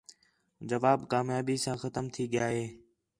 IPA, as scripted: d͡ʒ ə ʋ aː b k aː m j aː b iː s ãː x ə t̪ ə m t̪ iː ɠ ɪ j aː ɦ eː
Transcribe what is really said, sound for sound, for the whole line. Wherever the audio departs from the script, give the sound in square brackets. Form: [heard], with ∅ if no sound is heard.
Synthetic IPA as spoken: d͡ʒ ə ʋ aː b k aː m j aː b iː s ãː x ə t̪ ə m [t̪ʰ] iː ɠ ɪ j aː ɦ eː

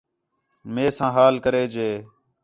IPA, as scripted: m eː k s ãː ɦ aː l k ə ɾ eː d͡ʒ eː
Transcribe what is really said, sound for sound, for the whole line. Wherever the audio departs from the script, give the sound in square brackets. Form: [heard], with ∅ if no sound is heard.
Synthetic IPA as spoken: m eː [∅] s ãː ɦ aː l k ə ɾ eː d͡ʒ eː

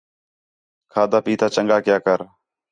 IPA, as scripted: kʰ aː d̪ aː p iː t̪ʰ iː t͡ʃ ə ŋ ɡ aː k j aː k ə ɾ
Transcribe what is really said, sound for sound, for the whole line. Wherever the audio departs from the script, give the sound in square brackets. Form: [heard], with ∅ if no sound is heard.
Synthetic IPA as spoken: kʰ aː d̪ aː p iː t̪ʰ [aː] t͡ʃ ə ŋ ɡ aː k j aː k ə ɾ

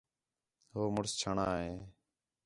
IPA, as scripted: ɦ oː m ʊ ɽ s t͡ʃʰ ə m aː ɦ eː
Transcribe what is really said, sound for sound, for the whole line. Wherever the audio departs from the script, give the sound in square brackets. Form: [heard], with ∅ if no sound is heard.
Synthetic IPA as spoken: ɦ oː m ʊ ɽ s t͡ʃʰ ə [ɳ] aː ɦ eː

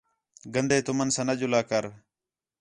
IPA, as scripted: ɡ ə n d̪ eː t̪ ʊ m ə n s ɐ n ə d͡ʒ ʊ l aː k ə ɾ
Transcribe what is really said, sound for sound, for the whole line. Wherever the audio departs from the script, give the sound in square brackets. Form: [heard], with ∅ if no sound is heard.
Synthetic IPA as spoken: ɡ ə n d̪ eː t̪ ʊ m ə n s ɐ n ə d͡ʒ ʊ l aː k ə ɾ

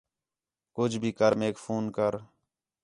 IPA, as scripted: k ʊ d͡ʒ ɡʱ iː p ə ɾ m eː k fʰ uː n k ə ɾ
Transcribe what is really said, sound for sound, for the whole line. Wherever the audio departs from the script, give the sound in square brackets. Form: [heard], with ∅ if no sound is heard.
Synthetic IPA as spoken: k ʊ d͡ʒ [bʱ] iː [k] ə ɾ m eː k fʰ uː n k ə ɾ

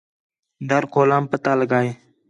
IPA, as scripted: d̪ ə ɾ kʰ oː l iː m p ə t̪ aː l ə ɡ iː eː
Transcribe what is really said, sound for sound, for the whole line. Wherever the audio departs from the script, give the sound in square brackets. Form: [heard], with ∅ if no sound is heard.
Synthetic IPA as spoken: d̪ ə ɾ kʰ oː l [aː] m p ə t̪ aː l ə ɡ [aː] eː

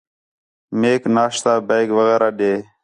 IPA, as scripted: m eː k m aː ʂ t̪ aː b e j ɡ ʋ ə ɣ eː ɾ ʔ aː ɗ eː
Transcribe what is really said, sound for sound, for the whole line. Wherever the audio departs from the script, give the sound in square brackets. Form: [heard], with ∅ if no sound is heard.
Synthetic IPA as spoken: m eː k [n] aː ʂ t̪ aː b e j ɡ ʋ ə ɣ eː ɾ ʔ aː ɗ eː

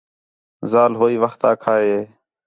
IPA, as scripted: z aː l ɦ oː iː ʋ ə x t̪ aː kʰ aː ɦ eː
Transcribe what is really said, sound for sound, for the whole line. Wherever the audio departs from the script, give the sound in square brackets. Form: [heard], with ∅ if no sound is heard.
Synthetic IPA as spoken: z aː l ɦ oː iː ʋ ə x t̪ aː kʰ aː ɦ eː

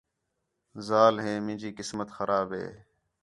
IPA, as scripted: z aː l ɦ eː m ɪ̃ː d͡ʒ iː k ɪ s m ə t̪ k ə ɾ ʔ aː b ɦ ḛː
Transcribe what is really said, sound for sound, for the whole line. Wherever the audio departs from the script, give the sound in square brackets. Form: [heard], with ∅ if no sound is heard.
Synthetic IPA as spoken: z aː l ɦ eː m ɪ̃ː d͡ʒ iː k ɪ s m ə t̪ [x] ə ɾ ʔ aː b ɦ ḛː

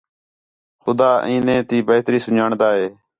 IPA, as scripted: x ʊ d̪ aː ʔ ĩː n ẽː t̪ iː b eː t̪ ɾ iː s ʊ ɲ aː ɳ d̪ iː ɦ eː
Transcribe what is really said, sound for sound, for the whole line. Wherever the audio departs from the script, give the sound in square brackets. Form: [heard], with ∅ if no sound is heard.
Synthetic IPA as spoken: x ʊ d̪ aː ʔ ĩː n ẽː t̪ iː b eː t̪ ɾ iː s ʊ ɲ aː ɳ d̪ [aː] ɦ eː

